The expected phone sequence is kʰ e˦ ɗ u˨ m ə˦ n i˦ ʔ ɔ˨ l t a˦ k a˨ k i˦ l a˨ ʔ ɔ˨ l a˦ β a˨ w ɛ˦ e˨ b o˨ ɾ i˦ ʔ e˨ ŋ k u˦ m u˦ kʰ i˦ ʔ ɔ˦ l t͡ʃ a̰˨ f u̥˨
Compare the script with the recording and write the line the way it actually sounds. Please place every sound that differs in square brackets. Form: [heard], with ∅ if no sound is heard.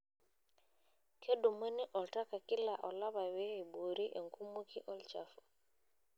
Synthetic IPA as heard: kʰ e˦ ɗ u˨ m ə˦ n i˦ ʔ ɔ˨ l t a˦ k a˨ k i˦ l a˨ ʔ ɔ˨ l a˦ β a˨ w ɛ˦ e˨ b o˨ ɾ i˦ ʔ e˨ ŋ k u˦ m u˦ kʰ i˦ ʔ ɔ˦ l t͡ʃ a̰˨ f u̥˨

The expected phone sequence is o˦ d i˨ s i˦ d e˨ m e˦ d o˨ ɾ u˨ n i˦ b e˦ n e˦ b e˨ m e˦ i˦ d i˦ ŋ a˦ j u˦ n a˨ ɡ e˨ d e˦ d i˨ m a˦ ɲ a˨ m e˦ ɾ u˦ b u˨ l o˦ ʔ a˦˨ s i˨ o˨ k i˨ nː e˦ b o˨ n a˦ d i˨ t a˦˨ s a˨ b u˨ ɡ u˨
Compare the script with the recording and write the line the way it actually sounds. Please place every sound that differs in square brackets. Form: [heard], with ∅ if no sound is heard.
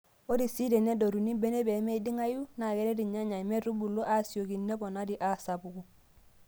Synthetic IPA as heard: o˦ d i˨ s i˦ d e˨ [n] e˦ d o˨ ɾ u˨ n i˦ b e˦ n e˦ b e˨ m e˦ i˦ d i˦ ŋ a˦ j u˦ n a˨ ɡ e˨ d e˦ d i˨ [ɲ] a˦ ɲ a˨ m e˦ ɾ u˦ b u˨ l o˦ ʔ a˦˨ s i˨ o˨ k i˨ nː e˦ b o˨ n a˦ d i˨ [ʔ] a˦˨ s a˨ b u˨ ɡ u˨

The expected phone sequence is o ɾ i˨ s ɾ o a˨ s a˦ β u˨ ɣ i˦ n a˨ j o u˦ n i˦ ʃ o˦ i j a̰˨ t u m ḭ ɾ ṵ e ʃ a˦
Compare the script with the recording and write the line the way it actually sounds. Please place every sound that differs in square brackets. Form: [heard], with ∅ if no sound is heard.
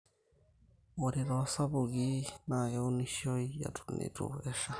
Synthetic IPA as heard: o ɾ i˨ [∅] ɾ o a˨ s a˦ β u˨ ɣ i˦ n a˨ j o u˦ n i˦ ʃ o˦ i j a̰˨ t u [n] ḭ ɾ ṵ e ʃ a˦

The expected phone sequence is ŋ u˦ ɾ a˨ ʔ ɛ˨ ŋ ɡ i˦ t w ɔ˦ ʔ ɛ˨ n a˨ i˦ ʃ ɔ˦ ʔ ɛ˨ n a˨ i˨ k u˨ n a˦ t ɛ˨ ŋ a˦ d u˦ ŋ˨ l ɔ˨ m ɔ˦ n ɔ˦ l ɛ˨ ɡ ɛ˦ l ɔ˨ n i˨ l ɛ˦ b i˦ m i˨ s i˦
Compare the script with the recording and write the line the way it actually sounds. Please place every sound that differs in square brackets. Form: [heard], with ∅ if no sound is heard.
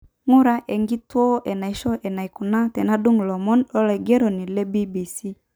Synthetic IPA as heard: ŋ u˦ ɾ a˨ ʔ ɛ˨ ŋ ɡ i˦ t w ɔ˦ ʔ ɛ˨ n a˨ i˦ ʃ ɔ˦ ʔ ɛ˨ n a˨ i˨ k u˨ n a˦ t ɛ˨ [n] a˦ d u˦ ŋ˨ l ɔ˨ m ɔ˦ n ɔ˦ l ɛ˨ ɡ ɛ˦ [ɾ] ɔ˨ n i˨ l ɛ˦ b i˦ [b] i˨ s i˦

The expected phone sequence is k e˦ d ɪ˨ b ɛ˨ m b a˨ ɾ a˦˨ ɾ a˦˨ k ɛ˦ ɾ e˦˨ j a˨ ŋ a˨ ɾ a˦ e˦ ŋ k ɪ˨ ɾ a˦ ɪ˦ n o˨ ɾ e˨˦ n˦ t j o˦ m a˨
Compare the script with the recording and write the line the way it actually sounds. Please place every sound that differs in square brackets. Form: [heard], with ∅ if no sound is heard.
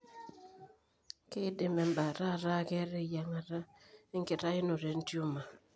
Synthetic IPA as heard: k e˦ d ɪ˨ [m] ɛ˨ m b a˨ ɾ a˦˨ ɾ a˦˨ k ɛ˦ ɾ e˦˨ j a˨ ŋ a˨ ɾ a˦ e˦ ŋ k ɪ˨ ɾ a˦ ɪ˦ n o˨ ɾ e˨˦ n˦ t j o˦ m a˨

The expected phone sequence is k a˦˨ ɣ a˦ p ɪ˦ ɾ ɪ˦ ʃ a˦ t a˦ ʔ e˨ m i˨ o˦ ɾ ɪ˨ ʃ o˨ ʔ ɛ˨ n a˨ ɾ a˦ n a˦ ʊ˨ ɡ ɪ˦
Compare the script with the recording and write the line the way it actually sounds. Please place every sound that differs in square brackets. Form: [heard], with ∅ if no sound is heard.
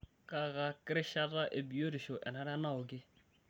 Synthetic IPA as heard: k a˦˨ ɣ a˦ [k] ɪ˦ ɾ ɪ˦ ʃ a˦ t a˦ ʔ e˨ [b] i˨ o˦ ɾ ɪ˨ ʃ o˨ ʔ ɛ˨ n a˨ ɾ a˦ n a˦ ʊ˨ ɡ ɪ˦

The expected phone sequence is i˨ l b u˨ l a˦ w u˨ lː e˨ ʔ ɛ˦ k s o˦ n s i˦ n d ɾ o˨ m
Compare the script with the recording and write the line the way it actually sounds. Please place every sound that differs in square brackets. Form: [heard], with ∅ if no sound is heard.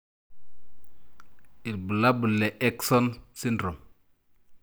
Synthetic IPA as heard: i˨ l b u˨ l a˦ [b] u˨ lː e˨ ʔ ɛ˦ k s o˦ n s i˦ n d ɾ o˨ m

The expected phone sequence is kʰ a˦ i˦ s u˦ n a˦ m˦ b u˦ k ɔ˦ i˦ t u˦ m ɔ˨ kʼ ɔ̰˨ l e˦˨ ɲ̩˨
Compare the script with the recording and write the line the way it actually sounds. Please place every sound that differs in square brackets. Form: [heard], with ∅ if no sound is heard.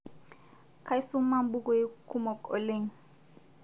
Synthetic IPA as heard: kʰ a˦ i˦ s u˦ [m] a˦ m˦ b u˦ k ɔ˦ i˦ [k] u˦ m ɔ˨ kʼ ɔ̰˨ l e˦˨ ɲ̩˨

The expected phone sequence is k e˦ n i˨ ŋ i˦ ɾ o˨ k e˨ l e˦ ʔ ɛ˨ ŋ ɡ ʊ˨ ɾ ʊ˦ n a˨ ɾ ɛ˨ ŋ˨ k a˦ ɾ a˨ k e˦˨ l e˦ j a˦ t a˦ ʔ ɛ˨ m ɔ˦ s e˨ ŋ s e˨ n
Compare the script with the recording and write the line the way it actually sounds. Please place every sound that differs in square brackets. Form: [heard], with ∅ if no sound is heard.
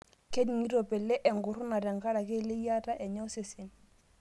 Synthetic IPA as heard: k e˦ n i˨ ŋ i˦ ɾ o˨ [p] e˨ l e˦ ʔ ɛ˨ ŋ ɡ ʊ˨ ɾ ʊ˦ n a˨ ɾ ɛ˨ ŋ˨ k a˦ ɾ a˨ k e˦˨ l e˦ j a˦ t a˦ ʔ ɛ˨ [ɲ] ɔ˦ s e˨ [∅] s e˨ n

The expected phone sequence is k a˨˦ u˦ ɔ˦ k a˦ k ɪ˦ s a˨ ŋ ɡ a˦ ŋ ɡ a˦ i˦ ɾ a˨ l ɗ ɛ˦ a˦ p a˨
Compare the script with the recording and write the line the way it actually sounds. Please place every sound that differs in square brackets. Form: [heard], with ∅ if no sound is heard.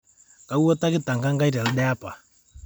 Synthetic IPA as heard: k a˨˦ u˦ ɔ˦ [t] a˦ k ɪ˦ [t] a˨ ŋ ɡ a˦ ŋ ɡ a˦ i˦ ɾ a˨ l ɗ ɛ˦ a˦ p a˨

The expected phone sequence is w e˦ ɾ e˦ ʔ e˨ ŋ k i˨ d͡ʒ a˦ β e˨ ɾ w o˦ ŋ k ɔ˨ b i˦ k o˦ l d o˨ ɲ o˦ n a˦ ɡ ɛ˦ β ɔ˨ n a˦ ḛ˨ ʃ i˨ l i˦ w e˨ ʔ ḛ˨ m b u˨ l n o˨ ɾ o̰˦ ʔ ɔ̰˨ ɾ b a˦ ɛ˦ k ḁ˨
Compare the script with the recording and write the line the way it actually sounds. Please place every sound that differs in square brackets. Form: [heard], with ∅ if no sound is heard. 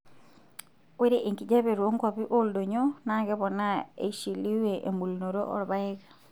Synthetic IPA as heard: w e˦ ɾ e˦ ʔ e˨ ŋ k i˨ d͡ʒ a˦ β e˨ ɾ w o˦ ŋ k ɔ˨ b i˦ [ʔ] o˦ l d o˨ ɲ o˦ n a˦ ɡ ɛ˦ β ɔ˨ n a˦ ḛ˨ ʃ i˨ l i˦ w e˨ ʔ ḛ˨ m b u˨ l n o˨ ɾ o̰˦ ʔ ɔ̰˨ ɾ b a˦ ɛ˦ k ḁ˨

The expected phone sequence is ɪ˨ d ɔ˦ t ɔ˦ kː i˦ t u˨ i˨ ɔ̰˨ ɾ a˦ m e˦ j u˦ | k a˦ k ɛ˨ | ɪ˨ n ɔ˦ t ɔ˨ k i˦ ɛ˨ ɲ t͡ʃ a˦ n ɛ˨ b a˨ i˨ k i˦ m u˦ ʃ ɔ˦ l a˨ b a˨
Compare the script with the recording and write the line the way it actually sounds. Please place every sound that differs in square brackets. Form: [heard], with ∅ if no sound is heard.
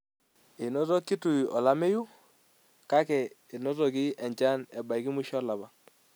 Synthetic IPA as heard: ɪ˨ [n] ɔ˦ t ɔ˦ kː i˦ t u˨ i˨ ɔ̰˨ [l] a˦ m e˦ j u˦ | k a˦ k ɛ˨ | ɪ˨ n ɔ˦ t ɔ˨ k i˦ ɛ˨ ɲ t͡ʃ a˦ n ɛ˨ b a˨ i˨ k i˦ m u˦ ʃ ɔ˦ l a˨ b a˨

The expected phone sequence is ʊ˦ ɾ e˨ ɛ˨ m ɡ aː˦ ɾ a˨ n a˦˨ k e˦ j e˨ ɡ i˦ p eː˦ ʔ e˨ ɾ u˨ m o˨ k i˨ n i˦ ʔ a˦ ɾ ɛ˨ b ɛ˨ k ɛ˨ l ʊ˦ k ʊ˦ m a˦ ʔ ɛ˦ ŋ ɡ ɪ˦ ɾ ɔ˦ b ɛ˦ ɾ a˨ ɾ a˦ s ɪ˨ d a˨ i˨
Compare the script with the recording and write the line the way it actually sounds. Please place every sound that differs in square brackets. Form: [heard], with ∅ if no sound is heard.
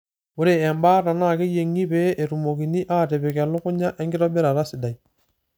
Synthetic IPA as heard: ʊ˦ ɾ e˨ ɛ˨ m [b] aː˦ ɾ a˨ n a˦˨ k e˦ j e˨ [ŋ] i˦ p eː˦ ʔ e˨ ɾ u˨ m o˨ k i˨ n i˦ ʔ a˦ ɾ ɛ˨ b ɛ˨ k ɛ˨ l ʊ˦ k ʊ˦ [ɲ] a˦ ʔ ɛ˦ ŋ ɡ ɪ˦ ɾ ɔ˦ b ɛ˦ ɾ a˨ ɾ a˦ s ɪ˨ d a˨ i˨

